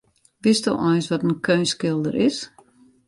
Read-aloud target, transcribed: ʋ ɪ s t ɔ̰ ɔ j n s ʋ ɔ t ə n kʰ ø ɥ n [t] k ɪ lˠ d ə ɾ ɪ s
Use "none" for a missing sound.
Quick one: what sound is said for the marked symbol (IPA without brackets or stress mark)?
s